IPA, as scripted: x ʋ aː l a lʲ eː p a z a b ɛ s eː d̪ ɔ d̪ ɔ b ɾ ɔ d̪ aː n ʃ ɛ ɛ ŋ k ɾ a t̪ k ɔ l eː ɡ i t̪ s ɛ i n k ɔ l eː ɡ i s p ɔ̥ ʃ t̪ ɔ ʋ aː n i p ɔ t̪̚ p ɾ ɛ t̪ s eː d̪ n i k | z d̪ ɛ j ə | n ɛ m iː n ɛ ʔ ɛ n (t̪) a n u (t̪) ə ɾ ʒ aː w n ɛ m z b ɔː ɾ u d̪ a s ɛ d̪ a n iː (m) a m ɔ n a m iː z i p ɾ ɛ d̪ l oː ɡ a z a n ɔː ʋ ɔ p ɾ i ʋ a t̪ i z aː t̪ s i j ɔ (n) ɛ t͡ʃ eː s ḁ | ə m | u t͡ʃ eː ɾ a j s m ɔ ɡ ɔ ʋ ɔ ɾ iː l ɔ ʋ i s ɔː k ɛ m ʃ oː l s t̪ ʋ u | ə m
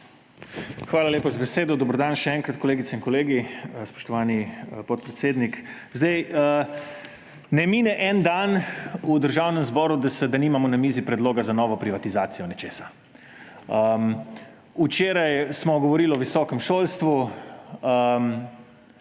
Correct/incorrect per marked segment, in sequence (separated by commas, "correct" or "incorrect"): incorrect, incorrect, correct, correct